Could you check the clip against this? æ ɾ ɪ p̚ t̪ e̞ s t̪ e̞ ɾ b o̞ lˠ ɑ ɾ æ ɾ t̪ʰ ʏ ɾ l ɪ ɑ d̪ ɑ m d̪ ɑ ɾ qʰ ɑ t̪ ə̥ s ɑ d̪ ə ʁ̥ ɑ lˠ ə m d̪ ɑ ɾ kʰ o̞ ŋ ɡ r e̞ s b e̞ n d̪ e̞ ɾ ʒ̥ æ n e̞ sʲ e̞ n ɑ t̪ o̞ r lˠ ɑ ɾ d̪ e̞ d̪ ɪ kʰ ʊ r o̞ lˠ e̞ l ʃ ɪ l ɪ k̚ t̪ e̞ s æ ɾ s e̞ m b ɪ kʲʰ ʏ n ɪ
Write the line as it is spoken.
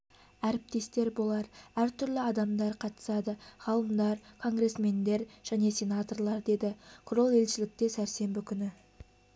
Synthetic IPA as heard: æ ɾ ɪ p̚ t̪ e̞ s t̪ e̞ ɾ b o̞ lˠ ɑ ɾ æ ɾ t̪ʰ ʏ ɾ l ɪ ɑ d̪ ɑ m d̪ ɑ ɾ qʰ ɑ t̪ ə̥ s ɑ d̪ ə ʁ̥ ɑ lˠ ə m d̪ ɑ ɾ kʰ o̞ ŋ ɡ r e̞ s m e̞ n d̪ e̞ ɾ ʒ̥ æ n e̞ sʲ e̞ n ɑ t̪ o̞ r lˠ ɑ ɾ d̪ e̞ d̪ ɪ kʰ ʊ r o̞ lˠ e̞ l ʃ ɪ l ɪ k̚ t̪ e̞ s æ ɾ s e̞ m b ɪ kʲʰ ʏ n ɪ